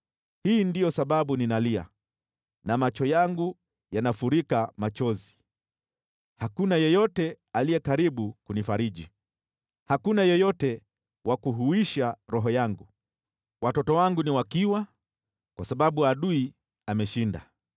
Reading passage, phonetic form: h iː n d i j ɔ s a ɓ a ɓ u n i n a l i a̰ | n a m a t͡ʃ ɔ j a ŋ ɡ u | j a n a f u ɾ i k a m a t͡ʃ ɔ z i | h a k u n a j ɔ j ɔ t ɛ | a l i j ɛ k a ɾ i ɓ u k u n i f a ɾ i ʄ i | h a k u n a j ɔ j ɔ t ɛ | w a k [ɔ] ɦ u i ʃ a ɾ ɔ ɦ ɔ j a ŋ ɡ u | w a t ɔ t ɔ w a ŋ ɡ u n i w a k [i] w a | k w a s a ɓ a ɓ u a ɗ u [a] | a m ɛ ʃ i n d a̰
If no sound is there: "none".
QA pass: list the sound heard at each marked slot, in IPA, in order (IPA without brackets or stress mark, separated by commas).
u, i, i